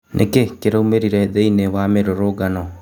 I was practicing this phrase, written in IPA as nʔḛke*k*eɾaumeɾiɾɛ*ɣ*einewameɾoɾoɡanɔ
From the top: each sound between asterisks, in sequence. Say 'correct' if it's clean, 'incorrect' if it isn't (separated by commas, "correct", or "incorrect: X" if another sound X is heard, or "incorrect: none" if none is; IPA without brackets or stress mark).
correct, incorrect: ð